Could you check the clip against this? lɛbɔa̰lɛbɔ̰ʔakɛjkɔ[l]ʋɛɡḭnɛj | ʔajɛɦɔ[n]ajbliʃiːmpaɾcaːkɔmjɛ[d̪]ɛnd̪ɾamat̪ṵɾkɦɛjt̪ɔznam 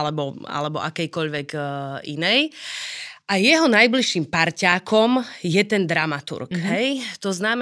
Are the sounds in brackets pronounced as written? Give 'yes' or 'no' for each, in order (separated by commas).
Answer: no, yes, no